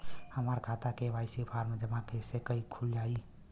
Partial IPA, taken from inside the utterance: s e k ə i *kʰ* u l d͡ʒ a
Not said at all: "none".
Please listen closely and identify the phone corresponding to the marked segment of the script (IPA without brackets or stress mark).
kʰ